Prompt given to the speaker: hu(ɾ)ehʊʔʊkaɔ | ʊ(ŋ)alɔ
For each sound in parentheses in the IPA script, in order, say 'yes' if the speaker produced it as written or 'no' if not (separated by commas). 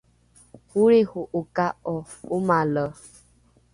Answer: yes, no